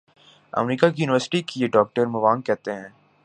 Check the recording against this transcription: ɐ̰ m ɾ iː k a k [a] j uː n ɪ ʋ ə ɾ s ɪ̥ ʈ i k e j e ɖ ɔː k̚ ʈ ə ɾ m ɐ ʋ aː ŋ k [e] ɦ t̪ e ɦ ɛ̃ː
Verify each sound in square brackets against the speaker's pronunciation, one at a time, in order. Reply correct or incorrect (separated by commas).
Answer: incorrect, incorrect